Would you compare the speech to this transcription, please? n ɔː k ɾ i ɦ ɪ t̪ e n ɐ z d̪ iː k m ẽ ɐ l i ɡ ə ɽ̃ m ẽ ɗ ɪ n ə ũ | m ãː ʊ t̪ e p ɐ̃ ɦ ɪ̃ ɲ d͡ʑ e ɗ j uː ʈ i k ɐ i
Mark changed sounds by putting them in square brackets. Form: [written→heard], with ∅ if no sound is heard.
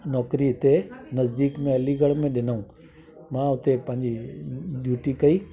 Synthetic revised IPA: n ɔː k ɾ i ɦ ɪ t̪ e n ɐ z d̪ iː k m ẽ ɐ l i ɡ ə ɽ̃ m ẽ ɗ ɪ n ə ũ | m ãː ʊ t̪ e p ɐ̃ ɦ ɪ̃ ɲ d͡ʑ [e→i] ɗ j uː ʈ i k ɐ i